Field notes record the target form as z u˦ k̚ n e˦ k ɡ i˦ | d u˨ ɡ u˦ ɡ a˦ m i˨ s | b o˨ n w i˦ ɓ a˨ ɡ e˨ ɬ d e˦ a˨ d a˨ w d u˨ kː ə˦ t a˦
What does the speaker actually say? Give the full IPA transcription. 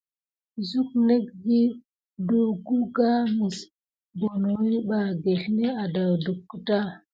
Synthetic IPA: z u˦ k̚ n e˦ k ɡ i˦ | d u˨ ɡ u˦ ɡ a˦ m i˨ s | b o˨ n w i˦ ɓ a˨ ɡ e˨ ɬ n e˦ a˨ d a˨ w d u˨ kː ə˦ t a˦